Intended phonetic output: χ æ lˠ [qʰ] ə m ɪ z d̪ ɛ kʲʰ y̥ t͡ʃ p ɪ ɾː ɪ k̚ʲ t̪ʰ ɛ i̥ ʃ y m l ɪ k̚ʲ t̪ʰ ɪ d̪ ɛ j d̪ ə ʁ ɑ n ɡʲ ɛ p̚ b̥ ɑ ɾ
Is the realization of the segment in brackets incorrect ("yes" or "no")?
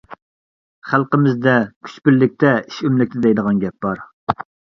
yes